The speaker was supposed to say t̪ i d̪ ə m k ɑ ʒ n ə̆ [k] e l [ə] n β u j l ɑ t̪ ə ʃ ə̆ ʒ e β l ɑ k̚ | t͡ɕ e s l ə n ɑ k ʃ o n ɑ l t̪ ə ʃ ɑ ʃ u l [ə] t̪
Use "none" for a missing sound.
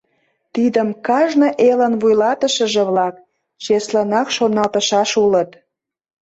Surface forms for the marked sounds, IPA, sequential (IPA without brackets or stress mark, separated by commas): ʔ, ə, ə